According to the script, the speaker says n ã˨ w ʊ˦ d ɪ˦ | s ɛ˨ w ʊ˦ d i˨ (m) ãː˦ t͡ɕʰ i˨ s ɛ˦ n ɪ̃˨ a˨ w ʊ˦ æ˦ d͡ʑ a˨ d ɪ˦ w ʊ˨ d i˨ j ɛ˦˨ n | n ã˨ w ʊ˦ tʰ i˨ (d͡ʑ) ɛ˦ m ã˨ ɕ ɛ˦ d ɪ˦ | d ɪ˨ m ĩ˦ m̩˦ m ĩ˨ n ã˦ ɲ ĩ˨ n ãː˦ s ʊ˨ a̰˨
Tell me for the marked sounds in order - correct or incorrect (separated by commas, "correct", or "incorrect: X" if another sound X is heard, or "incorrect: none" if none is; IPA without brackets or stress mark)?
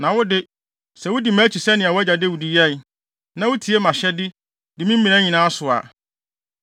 correct, incorrect: none